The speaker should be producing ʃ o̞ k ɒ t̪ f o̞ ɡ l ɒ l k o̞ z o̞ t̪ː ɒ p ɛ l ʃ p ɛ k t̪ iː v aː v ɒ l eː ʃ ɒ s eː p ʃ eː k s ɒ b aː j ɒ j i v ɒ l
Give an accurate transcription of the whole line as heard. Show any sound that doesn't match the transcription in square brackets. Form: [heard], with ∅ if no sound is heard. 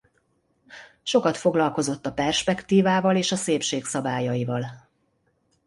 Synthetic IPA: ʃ o̞ k ɒ t̪ f o̞ ɡ l ɒ l k o̞ z o̞ t̪ː ɒ p ɛ [r] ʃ p ɛ k t̪ iː v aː v ɒ l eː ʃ ɒ s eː p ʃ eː k s ɒ b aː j ɒ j i v ɒ l